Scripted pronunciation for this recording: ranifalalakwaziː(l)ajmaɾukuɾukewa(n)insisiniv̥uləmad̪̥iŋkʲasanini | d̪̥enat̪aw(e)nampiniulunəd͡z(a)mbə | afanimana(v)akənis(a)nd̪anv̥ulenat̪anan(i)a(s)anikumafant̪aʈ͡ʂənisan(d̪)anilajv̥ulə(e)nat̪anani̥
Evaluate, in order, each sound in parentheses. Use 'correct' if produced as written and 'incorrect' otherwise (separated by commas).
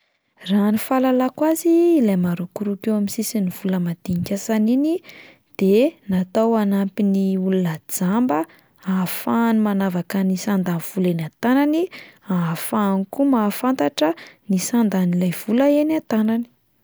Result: correct, incorrect, incorrect, correct, correct, correct, correct, incorrect, correct, correct